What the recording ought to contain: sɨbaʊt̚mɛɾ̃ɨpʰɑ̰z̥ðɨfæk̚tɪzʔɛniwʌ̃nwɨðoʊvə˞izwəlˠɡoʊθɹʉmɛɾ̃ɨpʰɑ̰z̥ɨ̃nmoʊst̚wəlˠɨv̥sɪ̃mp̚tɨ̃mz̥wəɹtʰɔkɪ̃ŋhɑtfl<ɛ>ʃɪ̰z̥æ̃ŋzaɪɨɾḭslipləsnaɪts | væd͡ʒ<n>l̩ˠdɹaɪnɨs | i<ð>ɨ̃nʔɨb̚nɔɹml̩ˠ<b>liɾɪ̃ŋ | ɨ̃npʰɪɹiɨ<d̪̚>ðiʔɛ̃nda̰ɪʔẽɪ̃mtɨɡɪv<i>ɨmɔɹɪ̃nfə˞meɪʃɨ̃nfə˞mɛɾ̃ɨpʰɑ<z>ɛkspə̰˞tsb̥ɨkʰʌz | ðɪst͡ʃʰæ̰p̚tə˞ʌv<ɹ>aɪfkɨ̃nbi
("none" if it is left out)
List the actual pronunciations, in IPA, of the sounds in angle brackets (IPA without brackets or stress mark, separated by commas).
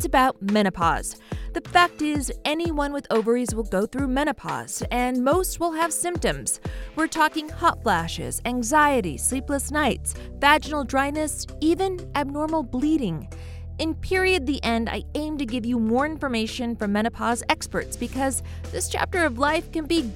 æ, n, v, b, d̪̚, j, z, l